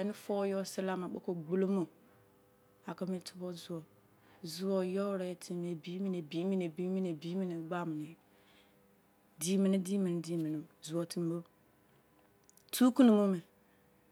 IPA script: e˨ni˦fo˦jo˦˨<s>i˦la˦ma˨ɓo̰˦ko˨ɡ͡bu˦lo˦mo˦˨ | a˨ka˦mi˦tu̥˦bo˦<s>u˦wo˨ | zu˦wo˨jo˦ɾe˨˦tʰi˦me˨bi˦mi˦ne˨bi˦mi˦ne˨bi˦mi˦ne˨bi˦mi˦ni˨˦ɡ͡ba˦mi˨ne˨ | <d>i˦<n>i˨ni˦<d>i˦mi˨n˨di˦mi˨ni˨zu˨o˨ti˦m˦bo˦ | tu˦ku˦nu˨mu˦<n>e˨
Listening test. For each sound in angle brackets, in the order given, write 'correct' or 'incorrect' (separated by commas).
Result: correct, incorrect, correct, incorrect, correct, incorrect